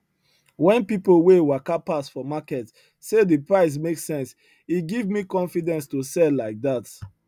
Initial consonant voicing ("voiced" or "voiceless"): voiced